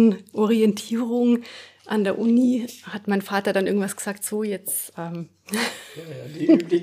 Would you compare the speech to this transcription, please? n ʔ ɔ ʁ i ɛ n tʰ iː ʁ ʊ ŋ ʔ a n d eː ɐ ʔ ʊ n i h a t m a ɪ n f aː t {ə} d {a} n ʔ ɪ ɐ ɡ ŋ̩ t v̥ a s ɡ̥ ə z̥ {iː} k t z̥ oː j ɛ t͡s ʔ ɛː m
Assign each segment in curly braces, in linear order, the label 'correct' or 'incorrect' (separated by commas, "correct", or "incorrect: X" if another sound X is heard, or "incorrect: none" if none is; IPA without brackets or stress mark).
incorrect: ɐ, correct, incorrect: aː